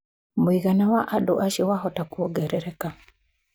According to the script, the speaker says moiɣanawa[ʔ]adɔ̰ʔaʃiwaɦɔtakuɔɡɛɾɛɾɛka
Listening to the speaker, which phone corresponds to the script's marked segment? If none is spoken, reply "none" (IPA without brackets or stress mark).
ʔ